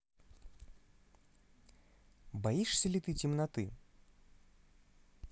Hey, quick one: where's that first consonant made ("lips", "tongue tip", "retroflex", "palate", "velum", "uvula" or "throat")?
lips